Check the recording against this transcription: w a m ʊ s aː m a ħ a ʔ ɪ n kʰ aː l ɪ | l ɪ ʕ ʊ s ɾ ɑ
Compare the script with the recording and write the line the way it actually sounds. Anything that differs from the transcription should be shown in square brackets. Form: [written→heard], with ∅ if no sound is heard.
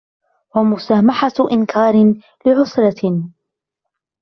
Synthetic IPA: w a m ʊ s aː m a ħ a ʔ ɪ n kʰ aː [l→ɾ] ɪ | l ɪ ʕ ʊ s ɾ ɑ